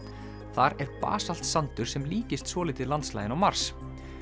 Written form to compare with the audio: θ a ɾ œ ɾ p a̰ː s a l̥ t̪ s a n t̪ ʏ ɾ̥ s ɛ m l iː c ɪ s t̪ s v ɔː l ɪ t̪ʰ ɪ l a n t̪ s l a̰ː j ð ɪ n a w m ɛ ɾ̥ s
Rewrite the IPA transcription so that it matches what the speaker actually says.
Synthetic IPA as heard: θ a ɾ ɛ ɾ p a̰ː s a l̥ t̪ s a n t̪ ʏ ɾ̥ s ɛ m l iː c ɪ s t̪ s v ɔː l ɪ t̪ ɪ l a n t̪ s l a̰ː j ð ɪ n a w m a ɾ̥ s

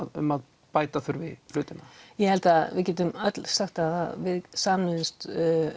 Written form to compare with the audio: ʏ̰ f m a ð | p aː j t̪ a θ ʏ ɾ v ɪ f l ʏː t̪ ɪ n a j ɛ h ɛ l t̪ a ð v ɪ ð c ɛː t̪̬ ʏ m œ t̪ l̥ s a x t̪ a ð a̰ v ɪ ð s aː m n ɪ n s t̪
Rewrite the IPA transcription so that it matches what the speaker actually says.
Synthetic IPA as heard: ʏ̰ m a ð | p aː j t̪ a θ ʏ ɾ v ɪ f l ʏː t̪ ɪ n a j ɛ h ɛ l t̪ a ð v ɪ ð c ɛː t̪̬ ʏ m œ t̪ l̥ s a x t̪ a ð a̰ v ɪ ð s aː m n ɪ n s t̪

